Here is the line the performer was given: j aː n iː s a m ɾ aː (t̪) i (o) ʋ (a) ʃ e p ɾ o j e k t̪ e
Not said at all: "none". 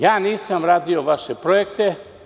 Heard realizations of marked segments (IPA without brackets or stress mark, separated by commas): d̪, o, a